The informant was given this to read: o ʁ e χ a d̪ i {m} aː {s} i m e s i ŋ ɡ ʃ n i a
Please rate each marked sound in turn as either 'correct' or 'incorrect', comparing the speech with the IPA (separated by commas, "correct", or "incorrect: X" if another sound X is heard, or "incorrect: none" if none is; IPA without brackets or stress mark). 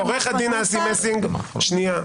incorrect: n, correct